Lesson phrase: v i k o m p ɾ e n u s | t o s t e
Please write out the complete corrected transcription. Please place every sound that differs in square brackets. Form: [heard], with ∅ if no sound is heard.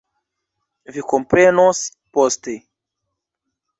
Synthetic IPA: v i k o m p ɾ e n [o] s | [p] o s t e